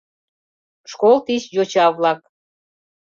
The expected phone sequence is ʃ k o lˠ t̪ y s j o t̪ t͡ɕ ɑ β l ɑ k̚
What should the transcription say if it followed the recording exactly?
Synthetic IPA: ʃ k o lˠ t̪ i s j o t͡ɕ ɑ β l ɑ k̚